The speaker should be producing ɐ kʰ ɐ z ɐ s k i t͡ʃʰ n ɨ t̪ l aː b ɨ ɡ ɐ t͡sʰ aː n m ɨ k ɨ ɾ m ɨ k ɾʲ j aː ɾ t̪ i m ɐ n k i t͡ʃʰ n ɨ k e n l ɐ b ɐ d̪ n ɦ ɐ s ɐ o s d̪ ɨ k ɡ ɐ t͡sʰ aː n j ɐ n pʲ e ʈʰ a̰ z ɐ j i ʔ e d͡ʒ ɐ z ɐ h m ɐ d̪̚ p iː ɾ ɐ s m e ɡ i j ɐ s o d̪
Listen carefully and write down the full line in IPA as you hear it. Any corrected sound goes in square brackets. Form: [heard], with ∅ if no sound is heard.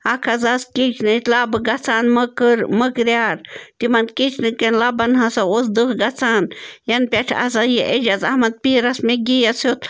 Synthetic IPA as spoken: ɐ kʰ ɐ z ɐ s k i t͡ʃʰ n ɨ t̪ l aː b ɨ ɡ ɐ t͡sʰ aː n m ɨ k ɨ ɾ m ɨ k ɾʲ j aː ɾ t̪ i m ɐ n k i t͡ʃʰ n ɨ k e n l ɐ b ɐ [∅] n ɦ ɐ s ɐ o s d̪ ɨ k ɡ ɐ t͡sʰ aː n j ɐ n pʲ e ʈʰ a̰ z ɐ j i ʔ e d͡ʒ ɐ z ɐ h m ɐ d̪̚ p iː ɾ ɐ s m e ɡ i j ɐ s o [t̪]